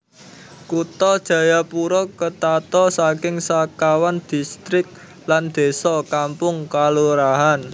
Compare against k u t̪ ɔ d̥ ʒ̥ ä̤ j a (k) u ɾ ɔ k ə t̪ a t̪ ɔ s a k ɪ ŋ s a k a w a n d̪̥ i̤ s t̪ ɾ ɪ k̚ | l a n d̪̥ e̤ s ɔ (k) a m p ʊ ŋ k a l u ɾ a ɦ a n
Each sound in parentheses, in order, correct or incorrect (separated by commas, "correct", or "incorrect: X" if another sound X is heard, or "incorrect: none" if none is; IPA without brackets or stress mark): incorrect: p, correct